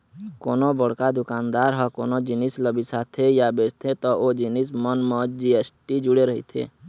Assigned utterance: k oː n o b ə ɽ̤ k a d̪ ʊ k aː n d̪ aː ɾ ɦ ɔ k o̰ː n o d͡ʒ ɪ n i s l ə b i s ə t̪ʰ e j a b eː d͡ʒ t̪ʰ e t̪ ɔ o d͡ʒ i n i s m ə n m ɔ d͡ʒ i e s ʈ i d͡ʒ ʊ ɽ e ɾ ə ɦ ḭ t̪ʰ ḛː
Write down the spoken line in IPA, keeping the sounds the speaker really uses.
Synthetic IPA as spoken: k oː n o b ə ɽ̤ k a d̪ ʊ k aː n d̪ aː ɾ ɦ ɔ k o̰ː n o d͡ʒ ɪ n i s l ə b i s a t̪ʰ e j a b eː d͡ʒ t̪ʰ e t̪ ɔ o d͡ʒ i n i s m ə n m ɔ d͡ʒ i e s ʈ i d͡ʒ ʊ ɽ e ɾ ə ɦ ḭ t̪ʰ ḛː